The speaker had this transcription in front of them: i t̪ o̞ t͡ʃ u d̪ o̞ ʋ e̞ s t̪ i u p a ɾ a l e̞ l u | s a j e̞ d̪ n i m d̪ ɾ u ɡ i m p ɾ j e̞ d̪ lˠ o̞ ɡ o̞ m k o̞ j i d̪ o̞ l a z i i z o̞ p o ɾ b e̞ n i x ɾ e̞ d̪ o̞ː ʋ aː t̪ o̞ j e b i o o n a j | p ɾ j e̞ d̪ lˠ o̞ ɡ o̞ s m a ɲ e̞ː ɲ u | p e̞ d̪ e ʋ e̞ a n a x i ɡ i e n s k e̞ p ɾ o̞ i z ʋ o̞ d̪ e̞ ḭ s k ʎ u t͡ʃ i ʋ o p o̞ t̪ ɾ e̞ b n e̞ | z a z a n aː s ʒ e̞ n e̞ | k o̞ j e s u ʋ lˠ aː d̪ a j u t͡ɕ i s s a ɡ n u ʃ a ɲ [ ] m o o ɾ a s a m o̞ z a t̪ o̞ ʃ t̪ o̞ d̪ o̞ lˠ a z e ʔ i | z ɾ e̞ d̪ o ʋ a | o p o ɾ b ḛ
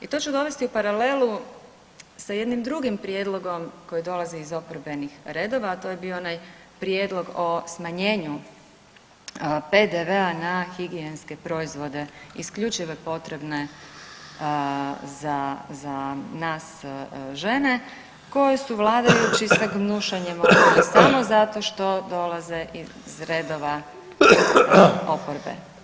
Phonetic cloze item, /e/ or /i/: e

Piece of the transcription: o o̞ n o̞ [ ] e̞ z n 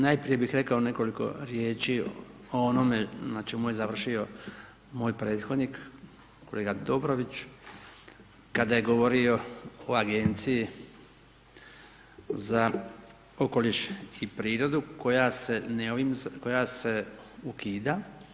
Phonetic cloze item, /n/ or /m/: m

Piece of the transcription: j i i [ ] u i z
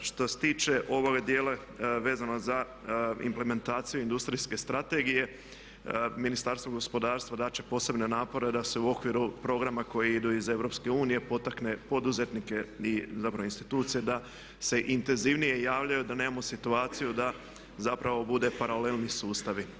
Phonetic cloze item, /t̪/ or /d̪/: d̪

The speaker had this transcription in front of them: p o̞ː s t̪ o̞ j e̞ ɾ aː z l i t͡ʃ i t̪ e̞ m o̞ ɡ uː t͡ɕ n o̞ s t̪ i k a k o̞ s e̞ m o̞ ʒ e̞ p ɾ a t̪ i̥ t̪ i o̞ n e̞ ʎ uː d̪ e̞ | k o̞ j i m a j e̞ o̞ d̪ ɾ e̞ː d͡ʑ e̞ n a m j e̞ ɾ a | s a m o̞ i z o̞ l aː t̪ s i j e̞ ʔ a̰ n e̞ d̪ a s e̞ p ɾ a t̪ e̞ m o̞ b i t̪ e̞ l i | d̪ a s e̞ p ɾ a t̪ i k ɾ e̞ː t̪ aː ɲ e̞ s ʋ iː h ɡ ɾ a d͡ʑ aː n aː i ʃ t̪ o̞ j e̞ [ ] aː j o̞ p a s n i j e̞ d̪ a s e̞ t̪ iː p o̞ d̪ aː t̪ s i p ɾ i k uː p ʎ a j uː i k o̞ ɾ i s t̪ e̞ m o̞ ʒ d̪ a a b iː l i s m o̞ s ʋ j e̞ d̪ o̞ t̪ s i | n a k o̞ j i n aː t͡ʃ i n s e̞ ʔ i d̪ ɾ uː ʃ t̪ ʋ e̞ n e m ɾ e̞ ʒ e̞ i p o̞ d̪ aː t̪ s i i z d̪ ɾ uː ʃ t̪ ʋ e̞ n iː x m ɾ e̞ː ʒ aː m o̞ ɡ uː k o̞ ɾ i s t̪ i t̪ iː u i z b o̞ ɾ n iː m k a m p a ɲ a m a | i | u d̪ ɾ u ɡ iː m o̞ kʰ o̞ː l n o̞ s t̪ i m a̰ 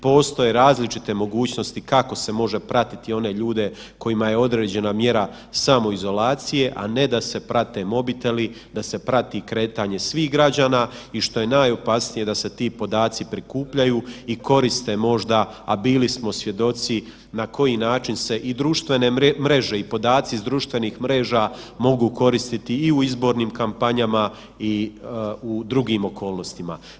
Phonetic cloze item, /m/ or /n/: n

